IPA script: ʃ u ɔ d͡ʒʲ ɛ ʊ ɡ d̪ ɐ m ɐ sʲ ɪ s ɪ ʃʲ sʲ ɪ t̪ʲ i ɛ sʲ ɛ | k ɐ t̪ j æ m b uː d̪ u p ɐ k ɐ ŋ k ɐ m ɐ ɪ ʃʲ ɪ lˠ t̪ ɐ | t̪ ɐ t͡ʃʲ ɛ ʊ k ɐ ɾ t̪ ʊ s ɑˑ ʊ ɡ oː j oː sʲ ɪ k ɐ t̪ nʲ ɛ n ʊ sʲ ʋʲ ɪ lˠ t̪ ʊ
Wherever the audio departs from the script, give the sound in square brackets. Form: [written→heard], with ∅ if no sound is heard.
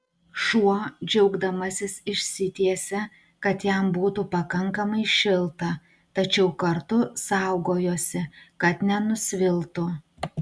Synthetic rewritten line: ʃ u ɔ d͡ʒʲ ɛ ʊ ɡ d̪ ɐ m ɐ sʲ ɪ s ɪ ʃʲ sʲ ɪ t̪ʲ i ɛ sʲ ɛ | k ɐ t̪ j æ m b uː [d̪→t̪] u p ɐ k ɐ ŋ k ɐ m ɐ ɪ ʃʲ ɪ lˠ t̪ ɐ | t̪ ɐ t͡ʃʲ ɛ ʊ k ɐ ɾ t̪ ʊ s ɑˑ ʊ ɡ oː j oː sʲ ɪ k ɐ t̪ nʲ ɛ n ʊ sʲ ʋʲ ɪ lˠ t̪ ʊ